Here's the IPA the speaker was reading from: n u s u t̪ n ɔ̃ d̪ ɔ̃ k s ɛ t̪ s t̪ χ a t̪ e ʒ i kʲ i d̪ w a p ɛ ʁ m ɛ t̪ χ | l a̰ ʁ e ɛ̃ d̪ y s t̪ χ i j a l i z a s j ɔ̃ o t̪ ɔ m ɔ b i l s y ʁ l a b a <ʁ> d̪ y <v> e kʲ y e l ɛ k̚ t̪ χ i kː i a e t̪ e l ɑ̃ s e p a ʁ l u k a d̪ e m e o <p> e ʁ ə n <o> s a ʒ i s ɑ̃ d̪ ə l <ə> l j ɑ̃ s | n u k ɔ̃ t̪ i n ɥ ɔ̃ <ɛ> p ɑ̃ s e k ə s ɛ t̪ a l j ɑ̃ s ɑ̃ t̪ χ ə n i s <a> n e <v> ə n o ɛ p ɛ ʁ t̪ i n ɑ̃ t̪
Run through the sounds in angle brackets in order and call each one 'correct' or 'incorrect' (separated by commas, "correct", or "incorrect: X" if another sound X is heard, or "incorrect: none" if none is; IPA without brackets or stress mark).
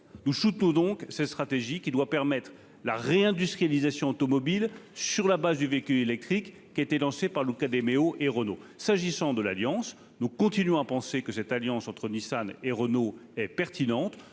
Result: incorrect: z, correct, incorrect: ʔ, correct, incorrect: a, incorrect: a, correct, incorrect: ʁ